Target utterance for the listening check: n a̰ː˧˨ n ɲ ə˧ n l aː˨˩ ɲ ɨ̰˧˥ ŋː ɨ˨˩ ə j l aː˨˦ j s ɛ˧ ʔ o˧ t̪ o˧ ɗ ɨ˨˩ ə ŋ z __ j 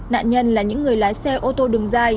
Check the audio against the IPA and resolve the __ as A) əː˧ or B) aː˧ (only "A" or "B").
B